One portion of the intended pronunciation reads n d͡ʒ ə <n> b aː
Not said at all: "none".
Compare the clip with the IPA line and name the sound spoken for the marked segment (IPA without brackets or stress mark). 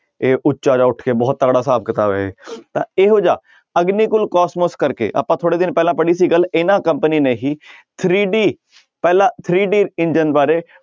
n